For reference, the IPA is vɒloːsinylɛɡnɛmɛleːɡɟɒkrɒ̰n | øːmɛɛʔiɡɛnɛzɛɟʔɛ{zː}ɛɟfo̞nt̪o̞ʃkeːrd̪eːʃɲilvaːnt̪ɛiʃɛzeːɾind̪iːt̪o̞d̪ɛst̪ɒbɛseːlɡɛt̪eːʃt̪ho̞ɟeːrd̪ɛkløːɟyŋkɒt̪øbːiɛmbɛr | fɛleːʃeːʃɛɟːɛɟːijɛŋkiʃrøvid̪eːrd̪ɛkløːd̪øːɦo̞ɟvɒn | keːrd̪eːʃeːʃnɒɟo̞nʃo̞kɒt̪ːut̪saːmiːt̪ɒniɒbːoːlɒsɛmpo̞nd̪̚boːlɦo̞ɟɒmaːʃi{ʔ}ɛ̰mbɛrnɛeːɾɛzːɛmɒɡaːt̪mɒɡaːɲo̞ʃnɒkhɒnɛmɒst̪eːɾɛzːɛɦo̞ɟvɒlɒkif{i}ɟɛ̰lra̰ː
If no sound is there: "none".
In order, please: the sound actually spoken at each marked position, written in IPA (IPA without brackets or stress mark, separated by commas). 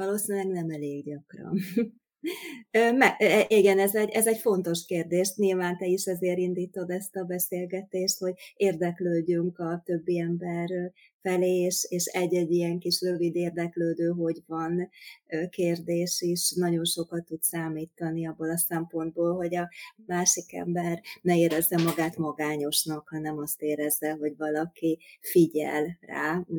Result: z, k, i